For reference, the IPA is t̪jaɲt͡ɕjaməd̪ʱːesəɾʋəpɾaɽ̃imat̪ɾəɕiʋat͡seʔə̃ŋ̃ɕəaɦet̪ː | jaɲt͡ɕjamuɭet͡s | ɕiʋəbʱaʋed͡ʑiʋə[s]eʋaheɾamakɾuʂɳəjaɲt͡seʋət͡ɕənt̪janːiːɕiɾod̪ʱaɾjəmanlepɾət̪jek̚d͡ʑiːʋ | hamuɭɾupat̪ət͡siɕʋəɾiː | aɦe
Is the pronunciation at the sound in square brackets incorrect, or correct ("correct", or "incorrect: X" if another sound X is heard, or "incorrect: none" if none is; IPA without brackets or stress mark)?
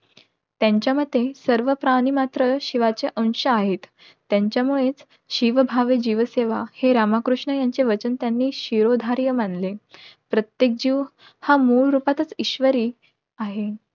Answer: correct